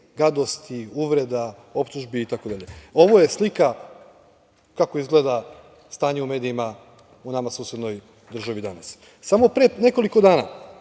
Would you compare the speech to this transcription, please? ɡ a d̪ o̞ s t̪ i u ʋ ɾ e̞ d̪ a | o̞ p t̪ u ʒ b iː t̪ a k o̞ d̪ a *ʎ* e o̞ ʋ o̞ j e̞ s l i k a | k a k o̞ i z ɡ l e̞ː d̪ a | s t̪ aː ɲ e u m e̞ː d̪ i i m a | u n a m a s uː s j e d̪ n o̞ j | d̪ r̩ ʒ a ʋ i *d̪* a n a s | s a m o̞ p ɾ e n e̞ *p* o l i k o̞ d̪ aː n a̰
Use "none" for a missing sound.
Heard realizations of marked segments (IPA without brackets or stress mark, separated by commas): ʎ, d̪, k